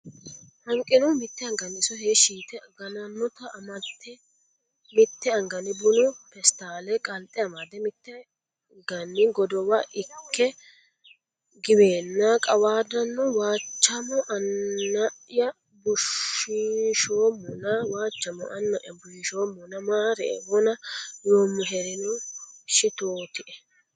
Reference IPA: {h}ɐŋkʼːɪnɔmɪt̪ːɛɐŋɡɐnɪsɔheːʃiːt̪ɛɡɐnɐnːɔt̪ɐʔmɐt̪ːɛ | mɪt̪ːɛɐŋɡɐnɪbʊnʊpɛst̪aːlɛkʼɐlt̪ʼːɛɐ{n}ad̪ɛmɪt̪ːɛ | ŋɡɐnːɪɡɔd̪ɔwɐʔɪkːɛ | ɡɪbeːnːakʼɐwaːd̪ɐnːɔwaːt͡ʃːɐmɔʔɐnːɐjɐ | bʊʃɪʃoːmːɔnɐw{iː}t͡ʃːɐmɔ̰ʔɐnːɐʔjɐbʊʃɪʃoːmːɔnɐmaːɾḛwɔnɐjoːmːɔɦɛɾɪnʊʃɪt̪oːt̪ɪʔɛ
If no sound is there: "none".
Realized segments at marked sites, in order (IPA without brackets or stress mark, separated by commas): h, m, aː